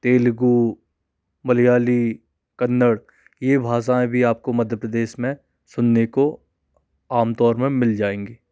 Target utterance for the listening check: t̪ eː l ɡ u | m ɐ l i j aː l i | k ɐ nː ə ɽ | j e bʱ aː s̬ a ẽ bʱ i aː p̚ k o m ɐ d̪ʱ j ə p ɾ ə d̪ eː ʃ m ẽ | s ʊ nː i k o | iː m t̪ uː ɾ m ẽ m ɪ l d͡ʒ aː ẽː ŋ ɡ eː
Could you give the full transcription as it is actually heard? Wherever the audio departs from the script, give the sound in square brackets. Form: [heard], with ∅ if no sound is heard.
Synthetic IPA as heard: t̪ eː l ɡ u | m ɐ l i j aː l i | k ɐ nː ə ɽ | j e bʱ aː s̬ a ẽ bʱ i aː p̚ k o m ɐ d̪ʱ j ə p ɾ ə d̪ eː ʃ m ẽ | s ʊ nː [e] k o | [aː] m t̪ [ɔː] ɾ m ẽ m ɪ l d͡ʒ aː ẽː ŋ ɡ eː